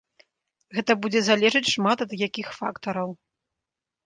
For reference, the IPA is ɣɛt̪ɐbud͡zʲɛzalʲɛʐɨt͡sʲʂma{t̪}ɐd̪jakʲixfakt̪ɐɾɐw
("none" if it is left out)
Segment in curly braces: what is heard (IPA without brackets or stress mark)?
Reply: t̪